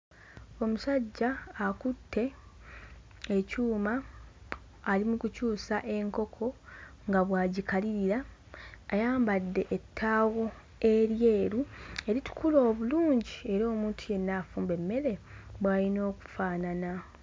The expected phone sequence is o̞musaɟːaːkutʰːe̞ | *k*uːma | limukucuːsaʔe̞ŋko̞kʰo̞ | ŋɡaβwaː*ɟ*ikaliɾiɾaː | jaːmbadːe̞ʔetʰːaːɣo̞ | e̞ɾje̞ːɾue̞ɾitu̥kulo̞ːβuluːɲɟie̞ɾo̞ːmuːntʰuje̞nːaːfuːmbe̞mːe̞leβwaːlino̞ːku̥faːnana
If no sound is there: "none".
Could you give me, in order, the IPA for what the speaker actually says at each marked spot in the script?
c, ɟ

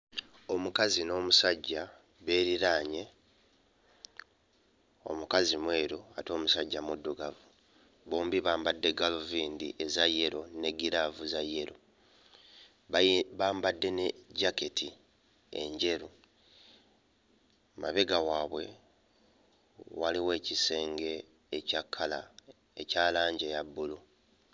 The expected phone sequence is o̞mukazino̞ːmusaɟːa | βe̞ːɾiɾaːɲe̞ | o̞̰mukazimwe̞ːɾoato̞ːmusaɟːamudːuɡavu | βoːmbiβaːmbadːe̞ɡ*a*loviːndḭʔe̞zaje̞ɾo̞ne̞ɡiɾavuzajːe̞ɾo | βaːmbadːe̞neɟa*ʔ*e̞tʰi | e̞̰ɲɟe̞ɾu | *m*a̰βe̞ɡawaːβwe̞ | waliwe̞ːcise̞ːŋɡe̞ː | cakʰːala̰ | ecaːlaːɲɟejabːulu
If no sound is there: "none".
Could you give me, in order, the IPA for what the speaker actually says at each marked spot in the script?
a, k, m

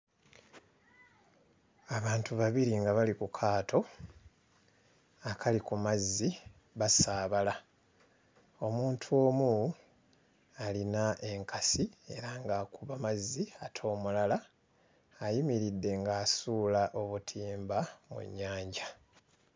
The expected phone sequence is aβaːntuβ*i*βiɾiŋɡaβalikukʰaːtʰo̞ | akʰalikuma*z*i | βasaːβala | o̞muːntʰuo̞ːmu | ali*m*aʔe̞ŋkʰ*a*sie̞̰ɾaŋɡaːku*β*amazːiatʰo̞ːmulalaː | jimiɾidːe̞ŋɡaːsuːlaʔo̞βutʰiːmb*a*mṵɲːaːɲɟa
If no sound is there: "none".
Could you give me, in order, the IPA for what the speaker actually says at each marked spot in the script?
a, zː, n, a, β, a

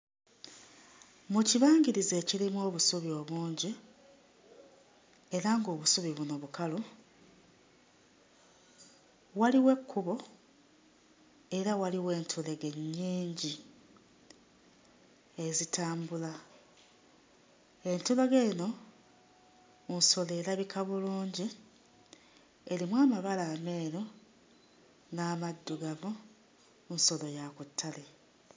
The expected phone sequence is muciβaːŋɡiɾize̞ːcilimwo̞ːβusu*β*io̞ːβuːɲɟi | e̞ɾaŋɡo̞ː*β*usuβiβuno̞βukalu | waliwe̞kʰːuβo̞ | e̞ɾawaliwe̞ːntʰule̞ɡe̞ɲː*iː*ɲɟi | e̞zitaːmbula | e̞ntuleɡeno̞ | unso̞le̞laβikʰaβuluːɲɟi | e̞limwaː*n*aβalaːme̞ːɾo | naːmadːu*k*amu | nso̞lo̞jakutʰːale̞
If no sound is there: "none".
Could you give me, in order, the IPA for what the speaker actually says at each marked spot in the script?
β, β, iː, m, ɡ

